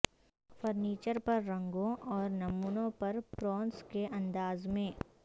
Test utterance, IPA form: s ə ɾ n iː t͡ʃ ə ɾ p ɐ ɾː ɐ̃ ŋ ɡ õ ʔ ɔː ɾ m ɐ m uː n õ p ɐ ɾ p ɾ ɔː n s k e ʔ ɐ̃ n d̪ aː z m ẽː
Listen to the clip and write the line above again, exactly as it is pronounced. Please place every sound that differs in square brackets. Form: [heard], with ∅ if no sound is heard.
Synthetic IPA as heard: [f] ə ɾ n iː t͡ʃ ə ɾ p ɐ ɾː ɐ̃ ŋ ɡ õ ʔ ɔː ɾ [n] ɐ m uː n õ p ɐ ɾ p ɾ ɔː n s k e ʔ ɐ̃ n d̪ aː z m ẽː